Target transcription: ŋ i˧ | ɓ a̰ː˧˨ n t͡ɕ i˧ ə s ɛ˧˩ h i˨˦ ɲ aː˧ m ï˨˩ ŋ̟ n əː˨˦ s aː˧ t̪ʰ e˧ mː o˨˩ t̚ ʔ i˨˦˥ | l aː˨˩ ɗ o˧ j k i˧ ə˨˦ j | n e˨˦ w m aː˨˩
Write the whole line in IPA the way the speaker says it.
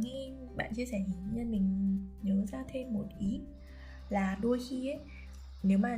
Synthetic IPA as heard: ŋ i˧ | ɓ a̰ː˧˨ n t͡ɕ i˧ ə s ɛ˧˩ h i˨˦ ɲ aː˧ m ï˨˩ ŋ̟ ɲ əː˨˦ z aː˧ t̪ʰ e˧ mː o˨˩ t̚ ʔ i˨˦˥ | l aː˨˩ ɗ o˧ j x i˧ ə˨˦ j | n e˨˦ w m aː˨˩